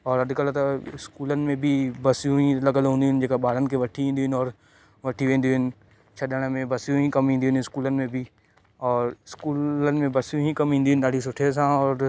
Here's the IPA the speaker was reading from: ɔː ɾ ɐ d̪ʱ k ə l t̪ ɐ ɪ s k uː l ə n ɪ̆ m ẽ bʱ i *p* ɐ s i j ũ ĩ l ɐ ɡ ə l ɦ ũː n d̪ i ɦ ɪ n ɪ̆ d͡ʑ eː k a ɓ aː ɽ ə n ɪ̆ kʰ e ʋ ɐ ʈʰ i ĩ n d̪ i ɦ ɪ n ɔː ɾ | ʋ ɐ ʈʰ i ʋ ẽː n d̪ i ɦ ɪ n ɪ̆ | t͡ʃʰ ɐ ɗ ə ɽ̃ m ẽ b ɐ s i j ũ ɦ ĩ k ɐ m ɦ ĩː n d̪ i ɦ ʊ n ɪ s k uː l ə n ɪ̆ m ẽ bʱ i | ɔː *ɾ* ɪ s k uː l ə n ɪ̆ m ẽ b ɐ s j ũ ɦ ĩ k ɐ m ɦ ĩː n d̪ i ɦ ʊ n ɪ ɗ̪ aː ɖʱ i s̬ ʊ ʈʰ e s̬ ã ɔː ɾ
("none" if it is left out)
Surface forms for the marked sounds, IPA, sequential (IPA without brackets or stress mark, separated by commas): b, ɾ